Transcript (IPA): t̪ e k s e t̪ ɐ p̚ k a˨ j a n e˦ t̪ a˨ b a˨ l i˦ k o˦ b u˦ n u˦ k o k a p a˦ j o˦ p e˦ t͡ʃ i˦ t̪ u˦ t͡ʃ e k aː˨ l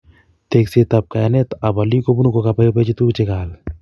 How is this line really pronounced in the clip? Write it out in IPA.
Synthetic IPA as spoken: t̪ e k s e t̪ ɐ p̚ k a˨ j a n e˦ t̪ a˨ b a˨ l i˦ k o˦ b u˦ n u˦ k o k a p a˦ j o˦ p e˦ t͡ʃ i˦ t̪ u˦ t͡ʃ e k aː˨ l